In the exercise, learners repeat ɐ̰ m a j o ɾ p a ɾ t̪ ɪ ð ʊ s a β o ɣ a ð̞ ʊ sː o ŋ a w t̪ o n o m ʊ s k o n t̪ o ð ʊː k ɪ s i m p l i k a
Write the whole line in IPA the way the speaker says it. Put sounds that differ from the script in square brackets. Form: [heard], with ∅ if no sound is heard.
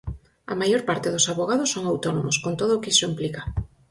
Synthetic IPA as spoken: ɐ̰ m a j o ɾ p a ɾ t̪ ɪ ð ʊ s a β o ɣ a ð̞ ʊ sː o ŋ a w t̪ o n o m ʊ s k o n t̪ o ð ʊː k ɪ s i m p l i k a